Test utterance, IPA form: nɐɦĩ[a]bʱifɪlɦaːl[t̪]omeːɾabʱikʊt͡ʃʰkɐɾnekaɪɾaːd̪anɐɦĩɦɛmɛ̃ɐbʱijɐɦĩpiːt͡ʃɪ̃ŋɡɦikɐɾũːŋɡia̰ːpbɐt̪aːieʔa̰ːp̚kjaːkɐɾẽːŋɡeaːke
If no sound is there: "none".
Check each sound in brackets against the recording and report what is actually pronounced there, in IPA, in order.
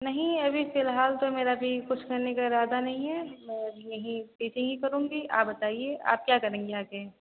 ɐ, t̪

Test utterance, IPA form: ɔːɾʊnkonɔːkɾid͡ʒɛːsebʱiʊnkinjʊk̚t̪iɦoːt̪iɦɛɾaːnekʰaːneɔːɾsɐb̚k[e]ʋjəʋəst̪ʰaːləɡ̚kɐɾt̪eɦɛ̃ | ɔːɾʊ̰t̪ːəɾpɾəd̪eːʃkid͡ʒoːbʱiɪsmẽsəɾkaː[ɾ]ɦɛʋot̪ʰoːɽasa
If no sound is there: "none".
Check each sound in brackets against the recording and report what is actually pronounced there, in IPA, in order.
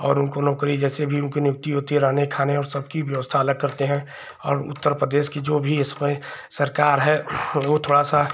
i, ɾ

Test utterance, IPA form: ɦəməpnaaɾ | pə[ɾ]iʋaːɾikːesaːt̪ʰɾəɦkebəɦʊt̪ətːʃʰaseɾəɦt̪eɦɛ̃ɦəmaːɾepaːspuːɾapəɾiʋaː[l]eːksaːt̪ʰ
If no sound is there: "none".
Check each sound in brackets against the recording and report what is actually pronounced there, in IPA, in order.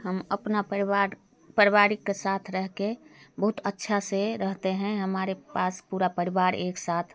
ɾ, ɾ

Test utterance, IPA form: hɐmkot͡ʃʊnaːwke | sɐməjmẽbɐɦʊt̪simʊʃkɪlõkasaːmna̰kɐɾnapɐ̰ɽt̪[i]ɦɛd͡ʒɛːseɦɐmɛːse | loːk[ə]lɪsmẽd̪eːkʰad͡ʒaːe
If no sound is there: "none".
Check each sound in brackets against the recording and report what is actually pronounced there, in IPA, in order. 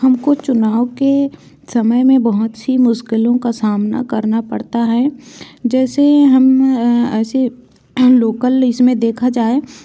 a, ə

